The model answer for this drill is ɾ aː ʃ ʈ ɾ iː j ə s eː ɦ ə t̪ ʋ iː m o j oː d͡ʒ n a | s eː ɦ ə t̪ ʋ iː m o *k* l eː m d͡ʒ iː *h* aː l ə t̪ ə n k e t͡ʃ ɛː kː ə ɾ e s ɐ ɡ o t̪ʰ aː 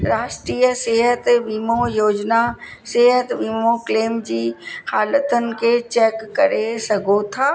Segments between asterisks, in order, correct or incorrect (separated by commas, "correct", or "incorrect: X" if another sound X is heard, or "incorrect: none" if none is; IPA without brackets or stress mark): correct, correct